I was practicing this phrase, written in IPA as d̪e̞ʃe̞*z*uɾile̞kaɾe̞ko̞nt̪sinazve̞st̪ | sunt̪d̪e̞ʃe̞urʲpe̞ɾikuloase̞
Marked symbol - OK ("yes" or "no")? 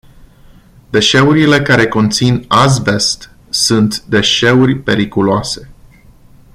no